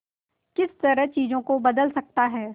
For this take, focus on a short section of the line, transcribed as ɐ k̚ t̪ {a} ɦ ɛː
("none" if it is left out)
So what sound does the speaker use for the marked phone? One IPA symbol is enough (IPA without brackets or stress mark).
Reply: a